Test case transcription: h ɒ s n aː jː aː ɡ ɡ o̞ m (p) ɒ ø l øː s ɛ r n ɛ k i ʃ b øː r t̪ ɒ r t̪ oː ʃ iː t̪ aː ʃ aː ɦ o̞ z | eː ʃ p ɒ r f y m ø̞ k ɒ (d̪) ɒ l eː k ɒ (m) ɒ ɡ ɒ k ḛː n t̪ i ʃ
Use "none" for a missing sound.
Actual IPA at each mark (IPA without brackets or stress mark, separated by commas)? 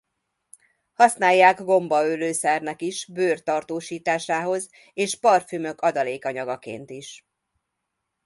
b, d̪, ɲ